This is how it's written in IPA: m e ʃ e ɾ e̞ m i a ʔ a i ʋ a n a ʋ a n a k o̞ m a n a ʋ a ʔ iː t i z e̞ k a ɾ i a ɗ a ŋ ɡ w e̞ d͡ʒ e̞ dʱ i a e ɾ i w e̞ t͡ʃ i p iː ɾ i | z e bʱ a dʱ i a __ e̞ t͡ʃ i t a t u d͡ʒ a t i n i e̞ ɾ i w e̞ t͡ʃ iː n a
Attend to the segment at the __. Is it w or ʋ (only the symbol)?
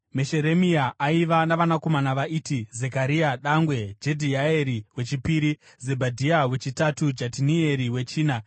w